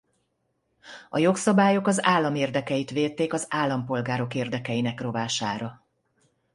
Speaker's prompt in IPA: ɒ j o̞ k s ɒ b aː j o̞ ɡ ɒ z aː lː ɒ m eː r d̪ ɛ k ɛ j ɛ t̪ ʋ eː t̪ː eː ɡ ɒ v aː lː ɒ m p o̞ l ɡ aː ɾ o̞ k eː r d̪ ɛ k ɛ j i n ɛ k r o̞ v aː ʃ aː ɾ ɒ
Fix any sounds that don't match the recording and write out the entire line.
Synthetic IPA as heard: ɒ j o̞ k s ɒ b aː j o̞ k ɒ z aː lː ɒ m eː r d̪ ɛ k ɛ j i t̪ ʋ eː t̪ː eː k ɒ z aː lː ɒ m p o̞ l ɡ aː ɾ o̞ k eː r d̪ ɛ k ɛ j i n ɛ k r o̞ v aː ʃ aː ɾ ɒ